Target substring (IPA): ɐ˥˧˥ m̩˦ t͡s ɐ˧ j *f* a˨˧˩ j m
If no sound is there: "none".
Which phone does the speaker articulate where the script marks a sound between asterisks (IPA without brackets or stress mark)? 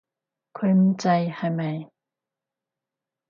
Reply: h